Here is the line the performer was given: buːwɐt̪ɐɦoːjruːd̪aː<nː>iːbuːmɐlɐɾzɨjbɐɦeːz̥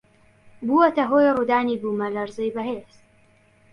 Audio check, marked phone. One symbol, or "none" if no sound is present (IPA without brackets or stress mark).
n